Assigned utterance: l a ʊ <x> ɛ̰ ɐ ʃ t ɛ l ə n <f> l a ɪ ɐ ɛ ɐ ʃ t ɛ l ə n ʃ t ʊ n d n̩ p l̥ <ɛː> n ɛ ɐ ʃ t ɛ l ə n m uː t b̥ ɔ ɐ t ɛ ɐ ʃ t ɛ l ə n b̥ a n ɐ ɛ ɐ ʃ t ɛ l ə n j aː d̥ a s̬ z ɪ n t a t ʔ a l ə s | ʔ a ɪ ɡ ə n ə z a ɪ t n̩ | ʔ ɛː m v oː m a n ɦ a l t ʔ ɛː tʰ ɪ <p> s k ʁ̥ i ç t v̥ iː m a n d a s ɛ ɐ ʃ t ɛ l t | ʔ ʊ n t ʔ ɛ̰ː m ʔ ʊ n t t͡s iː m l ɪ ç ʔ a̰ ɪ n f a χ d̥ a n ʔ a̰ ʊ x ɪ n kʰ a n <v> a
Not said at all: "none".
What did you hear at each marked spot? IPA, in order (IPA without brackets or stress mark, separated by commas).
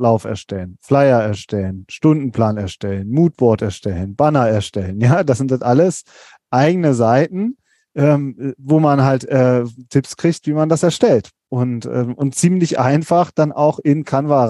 f, f, aː, p, v